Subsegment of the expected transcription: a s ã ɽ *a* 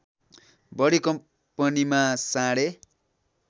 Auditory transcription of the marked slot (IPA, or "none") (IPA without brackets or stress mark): e